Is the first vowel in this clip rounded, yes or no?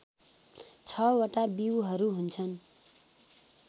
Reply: no